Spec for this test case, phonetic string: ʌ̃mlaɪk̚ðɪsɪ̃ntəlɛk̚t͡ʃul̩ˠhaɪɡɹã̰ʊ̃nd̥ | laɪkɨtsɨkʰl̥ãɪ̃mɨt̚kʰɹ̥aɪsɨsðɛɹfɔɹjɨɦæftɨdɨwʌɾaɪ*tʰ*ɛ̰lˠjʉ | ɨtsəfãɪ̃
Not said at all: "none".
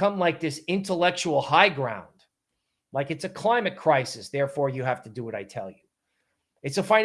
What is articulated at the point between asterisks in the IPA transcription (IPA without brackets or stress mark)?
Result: tʰ